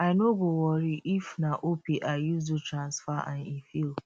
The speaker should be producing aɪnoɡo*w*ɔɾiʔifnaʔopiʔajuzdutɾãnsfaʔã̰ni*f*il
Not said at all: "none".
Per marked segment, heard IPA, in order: w, f

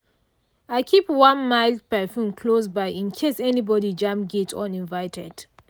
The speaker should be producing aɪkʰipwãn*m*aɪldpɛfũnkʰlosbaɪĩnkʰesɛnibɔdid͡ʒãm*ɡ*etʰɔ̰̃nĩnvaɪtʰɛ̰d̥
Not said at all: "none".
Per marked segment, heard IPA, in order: m, ɡ

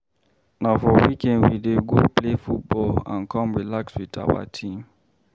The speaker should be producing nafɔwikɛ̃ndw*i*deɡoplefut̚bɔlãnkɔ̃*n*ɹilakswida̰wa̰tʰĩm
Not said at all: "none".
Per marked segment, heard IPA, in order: i, m

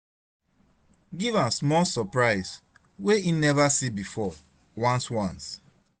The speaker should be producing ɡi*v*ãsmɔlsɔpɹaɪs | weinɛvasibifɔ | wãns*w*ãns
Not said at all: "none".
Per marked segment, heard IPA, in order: v, w

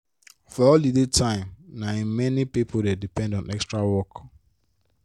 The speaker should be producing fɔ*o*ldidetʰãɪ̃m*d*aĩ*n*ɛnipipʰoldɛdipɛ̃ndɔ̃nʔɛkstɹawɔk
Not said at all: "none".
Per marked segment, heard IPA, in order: ɔ, n, m

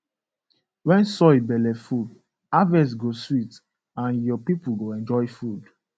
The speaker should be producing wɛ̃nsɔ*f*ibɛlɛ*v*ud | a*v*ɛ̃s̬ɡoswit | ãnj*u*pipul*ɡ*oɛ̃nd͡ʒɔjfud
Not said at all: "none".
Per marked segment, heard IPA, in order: none, f, v, ɔ, ɡ

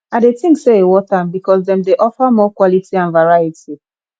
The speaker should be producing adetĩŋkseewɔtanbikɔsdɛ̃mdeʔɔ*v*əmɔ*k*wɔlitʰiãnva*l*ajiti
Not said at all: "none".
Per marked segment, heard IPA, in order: f, k, ɹ

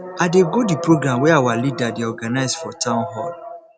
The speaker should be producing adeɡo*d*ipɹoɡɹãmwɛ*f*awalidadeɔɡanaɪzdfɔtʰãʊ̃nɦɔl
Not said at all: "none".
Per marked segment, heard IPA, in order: d, none

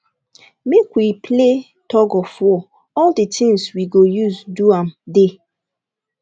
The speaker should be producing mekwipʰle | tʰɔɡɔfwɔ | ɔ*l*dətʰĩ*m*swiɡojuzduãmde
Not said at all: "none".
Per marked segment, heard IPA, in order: l, ŋ

